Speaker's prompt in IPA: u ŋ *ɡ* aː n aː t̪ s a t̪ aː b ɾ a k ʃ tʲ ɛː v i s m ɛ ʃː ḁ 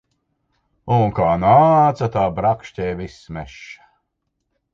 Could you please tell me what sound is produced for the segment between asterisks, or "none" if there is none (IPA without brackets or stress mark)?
k